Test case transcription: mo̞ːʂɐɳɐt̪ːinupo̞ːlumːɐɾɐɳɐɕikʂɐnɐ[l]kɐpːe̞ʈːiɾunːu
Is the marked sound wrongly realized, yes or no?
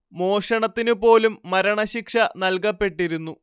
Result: no